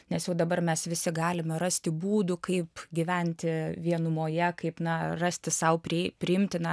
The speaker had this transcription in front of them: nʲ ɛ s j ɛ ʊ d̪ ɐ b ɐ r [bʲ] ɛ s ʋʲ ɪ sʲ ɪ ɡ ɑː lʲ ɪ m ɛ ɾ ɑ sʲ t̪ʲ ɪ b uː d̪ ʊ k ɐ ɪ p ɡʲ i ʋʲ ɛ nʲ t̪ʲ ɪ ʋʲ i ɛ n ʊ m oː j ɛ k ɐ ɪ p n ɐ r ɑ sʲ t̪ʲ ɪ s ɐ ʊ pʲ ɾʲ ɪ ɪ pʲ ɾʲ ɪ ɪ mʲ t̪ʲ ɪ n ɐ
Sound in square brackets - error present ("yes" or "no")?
yes